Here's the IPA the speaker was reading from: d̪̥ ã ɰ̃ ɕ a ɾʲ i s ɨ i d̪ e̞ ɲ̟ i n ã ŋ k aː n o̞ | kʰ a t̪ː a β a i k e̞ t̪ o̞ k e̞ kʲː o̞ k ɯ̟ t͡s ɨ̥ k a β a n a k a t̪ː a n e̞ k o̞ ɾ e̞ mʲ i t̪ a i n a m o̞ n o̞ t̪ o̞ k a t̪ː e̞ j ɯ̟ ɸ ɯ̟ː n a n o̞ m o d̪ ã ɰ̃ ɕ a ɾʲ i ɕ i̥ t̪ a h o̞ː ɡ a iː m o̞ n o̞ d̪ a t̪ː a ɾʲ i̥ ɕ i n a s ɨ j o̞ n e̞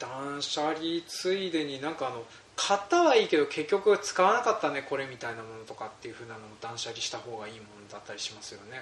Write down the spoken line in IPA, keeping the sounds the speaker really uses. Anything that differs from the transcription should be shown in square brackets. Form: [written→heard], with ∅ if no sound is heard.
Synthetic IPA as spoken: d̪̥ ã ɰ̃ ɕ a ɾʲ i [s→t͡s] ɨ i d̪ e̞ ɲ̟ i n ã ŋ k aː n o̞ | kʰ a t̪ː a β a [i→iː] k e̞ [t̪→d̪] o̞ k e̞ kʲː o̞ k ɯ̟ t͡s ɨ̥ k a β a n a k a t̪ː a n e̞ k o̞ ɾ e̞ mʲ i t̪ a i n a m o̞ n o̞ t̪ o̞ k a t̪ː e̞ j ɯ̟ ɸ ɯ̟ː n a n o̞ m o d̪ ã ɰ̃ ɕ a ɾʲ i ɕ i̥ t̪ a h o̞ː ɡ a iː m o̞ n o̞ d̪ a t̪ː a ɾʲ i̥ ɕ i [n→m] a s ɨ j o̞ n e̞